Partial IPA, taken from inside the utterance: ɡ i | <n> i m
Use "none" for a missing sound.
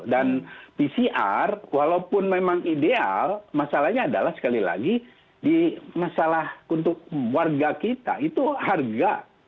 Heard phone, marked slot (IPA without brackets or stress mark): d